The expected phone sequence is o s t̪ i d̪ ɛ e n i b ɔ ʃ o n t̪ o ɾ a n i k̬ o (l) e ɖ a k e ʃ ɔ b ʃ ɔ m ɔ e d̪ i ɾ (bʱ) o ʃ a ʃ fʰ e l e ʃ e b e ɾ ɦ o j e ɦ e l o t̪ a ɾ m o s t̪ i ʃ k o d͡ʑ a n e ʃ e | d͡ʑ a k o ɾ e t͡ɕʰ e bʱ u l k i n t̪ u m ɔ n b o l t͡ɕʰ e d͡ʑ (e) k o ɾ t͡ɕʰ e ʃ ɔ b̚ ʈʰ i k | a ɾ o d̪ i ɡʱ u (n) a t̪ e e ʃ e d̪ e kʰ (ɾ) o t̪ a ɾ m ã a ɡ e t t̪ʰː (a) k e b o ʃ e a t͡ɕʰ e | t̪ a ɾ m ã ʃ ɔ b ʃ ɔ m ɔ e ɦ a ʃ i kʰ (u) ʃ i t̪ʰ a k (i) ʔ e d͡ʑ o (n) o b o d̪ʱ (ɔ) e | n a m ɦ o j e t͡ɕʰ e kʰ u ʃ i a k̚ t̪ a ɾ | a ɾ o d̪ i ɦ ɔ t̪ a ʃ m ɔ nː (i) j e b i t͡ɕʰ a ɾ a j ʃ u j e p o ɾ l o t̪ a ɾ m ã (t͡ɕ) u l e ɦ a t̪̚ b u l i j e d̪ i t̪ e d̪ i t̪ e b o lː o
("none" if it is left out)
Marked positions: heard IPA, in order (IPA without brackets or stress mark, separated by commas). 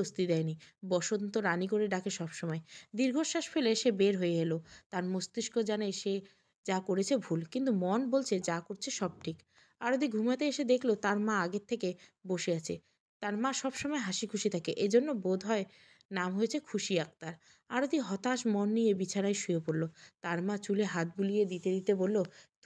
ɾ, ɡʱ, a, m, l, e, u, e, nː, ɔ, i, t͡ɕ